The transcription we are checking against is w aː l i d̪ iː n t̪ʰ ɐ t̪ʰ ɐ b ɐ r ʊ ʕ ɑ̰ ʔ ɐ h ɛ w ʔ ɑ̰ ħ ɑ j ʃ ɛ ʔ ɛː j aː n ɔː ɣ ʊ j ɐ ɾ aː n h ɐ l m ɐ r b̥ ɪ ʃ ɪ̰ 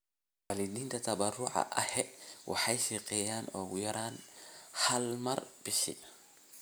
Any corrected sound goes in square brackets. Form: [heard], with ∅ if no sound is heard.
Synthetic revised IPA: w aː l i d̪ iː n t̪ʰ ɐ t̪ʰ ɐ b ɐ r ʊ ʕ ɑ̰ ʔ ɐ h ɛ w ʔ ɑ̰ ħ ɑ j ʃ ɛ [q] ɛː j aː n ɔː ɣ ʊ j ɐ ɾ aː n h ɐ l m ɐ r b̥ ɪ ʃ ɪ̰